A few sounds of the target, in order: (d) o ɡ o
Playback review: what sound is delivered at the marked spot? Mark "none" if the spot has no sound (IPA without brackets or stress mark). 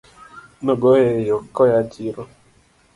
n